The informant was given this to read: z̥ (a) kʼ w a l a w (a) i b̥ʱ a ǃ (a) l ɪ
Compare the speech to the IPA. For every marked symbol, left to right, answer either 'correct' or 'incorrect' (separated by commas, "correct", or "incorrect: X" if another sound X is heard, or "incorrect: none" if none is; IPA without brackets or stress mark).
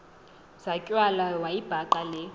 correct, correct, correct